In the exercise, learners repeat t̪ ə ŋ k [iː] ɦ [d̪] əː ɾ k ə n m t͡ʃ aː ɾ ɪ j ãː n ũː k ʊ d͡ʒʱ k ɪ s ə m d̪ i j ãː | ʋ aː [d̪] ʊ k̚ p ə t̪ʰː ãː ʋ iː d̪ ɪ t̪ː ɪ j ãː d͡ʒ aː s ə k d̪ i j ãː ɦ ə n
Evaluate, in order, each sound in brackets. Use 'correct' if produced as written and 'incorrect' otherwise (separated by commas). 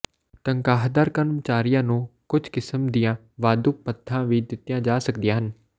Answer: incorrect, correct, correct